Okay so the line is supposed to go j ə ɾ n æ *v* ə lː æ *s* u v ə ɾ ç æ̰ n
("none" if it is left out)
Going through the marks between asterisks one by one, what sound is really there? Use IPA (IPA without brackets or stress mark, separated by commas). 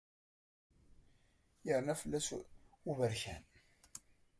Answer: f, s